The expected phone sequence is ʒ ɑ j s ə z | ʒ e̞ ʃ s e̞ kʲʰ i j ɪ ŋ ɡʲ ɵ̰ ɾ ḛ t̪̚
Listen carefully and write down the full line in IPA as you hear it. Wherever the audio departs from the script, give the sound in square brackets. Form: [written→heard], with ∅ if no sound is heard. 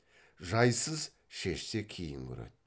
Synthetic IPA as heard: ʒ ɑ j s ə z | [ʒ→ʃ] e̞ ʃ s e̞ kʲʰ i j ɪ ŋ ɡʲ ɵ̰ ɾ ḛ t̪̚